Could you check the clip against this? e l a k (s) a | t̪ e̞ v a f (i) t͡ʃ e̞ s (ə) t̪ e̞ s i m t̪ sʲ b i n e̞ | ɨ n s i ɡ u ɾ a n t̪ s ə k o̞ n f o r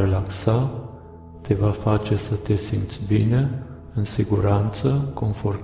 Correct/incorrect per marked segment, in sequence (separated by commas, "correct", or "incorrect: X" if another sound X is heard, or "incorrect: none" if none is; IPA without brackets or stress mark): correct, incorrect: a, correct